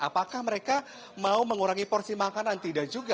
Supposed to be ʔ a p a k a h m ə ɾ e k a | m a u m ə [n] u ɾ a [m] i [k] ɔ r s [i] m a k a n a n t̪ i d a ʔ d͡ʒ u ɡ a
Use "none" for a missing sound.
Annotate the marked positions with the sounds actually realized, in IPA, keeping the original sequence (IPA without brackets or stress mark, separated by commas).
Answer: ŋ, ŋ, p, i